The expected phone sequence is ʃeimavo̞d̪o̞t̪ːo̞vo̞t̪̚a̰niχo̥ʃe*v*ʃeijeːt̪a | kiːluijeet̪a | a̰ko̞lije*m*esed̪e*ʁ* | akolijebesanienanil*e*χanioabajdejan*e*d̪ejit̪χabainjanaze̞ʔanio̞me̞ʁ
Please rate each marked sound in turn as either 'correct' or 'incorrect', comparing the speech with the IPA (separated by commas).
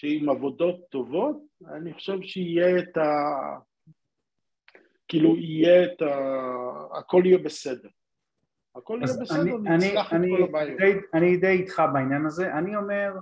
correct, incorrect, correct, incorrect, incorrect